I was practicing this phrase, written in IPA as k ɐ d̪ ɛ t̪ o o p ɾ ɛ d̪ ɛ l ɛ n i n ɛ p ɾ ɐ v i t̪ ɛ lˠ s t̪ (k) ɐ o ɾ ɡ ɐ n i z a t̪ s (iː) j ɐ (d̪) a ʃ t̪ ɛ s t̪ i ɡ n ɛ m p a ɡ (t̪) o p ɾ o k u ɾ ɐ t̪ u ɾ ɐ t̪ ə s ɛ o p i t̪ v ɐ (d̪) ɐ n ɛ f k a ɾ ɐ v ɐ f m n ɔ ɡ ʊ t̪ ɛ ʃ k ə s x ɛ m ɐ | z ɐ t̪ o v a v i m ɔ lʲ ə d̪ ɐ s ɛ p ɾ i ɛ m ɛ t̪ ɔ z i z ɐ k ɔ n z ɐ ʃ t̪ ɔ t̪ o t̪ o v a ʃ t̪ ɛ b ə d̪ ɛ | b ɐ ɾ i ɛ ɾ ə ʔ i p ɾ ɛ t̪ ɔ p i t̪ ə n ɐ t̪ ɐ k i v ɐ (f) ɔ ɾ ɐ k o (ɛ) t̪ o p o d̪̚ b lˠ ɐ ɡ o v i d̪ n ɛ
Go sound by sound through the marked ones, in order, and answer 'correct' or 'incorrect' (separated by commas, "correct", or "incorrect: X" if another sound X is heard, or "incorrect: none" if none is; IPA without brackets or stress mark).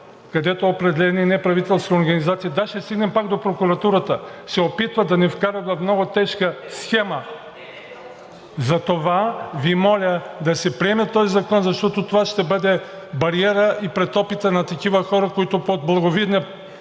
correct, incorrect: i, correct, incorrect: d̪, correct, incorrect: x, incorrect: i